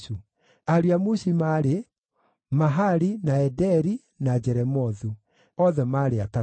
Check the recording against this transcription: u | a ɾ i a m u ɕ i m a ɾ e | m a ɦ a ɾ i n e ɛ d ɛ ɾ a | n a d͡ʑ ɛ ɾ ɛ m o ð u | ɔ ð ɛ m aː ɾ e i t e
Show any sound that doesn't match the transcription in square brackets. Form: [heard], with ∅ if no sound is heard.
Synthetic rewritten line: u | a ɾ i a m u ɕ i m a ɾ e | m a ɦ a ɾ i n [a] ɛ d ɛ ɾ [i] | n a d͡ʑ ɛ ɾ ɛ m [ɔ] ð u | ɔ ð ɛ m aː ɾ e [a] t [a]